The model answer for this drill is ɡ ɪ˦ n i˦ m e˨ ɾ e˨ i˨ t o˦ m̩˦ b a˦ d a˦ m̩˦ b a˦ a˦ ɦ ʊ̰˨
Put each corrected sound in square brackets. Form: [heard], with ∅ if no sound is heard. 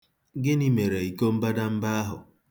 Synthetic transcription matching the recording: ɡ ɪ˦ n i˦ m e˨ ɾ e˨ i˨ [k] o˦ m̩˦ b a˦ d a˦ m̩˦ b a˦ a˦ ɦ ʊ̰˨